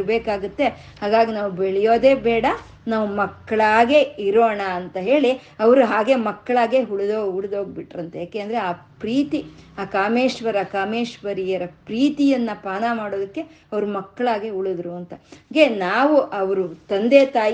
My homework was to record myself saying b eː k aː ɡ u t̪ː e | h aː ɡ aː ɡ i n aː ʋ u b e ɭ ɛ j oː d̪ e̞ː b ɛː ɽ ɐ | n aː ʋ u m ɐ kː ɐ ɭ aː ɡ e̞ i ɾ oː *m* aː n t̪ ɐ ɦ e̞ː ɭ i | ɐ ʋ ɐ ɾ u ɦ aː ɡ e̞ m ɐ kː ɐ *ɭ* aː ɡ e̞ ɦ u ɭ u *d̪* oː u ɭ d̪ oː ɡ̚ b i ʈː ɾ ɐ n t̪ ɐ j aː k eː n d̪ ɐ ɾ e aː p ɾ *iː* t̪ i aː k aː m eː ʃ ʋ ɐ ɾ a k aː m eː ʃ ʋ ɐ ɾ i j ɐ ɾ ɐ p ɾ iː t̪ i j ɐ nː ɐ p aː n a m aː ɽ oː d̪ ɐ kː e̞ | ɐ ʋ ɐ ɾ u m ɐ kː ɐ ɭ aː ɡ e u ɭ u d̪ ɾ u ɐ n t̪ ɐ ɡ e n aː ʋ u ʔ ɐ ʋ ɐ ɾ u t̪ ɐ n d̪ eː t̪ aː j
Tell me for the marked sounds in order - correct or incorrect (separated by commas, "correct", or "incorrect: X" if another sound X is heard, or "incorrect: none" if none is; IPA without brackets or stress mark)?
incorrect: ɳ, correct, correct, correct